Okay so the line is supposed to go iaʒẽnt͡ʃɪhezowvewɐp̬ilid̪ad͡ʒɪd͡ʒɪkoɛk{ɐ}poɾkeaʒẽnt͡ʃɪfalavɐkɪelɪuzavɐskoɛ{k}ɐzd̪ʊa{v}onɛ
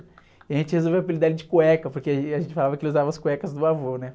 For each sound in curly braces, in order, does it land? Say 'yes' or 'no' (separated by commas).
yes, yes, yes